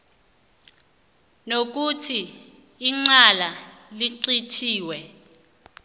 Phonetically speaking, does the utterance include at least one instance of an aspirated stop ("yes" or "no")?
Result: yes